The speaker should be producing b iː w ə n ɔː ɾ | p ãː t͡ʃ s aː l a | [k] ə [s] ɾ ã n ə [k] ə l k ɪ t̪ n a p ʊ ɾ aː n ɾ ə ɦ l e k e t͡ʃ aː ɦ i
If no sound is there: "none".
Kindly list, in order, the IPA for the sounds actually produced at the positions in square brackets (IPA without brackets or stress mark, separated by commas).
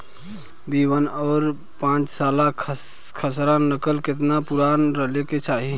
kʰ, s, k